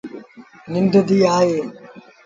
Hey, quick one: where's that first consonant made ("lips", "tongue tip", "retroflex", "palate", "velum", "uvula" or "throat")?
tongue tip